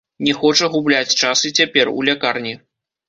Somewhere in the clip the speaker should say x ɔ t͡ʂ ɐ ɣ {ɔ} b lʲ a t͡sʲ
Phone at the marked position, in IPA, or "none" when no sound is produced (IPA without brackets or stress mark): u